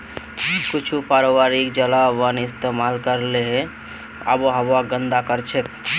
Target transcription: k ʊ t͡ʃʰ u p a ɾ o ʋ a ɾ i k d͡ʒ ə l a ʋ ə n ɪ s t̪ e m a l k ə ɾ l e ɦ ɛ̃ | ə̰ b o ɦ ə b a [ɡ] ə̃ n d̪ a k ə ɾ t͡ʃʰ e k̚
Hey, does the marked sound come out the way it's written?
yes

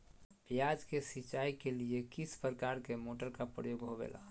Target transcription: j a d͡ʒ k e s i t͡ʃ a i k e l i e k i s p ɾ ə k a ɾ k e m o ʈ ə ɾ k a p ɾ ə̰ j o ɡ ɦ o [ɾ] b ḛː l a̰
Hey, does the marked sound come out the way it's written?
no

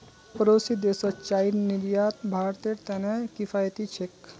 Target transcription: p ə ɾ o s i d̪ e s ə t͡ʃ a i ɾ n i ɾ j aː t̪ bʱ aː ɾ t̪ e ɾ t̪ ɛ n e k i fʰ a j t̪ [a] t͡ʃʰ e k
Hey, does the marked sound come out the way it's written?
no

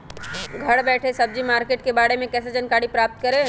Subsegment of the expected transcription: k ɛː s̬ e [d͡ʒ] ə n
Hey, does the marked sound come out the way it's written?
yes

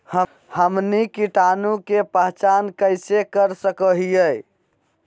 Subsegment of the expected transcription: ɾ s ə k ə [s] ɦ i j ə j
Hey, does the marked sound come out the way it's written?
no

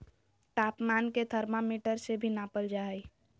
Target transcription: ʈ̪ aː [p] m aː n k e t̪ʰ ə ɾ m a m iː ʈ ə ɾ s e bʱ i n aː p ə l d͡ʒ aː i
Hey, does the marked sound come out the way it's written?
yes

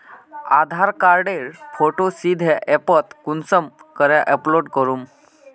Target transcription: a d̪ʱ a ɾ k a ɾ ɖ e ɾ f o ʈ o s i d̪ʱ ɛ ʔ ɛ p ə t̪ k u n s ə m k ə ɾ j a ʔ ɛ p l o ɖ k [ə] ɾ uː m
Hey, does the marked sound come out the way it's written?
yes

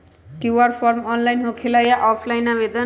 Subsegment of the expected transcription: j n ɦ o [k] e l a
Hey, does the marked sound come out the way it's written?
no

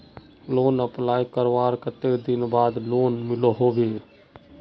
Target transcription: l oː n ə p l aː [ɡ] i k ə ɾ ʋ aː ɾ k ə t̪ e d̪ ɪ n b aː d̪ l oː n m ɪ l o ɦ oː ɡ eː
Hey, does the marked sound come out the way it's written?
no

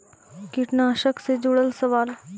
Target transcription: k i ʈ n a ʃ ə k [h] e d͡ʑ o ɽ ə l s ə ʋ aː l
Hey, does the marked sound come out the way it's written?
no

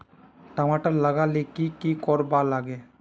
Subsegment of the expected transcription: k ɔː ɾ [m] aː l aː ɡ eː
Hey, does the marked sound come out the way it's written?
no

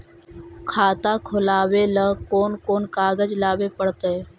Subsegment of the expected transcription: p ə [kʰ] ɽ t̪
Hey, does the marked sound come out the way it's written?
no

